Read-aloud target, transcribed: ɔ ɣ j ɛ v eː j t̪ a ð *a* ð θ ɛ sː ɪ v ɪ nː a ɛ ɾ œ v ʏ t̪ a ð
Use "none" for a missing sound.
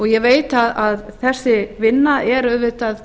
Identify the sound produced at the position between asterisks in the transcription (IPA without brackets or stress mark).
a